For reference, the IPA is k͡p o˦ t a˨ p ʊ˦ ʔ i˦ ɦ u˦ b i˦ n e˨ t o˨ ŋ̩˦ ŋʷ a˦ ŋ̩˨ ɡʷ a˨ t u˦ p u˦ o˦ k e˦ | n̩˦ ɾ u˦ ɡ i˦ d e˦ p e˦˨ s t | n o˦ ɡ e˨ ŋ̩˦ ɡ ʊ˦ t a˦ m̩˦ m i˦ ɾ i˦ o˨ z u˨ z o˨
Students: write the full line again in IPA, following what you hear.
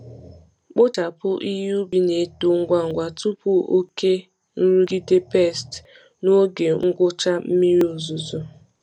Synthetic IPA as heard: k͡p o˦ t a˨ p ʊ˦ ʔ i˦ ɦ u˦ b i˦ n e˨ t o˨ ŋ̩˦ ɡʷ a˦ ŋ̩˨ ɡʷ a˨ t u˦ p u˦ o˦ k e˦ | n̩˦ ɾ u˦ ɡ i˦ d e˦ p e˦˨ s t | n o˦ ɡ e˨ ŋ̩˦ ɡ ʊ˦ t͡ʃ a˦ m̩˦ m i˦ ɾ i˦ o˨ z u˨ z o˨